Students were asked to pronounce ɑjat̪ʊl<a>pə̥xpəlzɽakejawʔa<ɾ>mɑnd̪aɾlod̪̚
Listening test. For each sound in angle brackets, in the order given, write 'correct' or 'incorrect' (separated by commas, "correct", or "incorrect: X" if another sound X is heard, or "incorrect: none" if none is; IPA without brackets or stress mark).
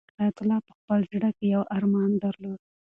incorrect: ɑ, correct